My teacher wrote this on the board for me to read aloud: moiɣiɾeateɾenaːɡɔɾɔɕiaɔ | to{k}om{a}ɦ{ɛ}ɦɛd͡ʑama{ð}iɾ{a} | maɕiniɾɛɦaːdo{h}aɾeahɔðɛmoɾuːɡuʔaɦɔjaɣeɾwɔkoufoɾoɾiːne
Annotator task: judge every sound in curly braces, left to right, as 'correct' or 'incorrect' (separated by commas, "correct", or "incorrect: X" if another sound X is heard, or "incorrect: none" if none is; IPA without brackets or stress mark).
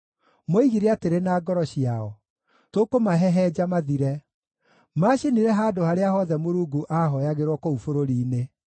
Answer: correct, correct, correct, correct, incorrect: ɛ, correct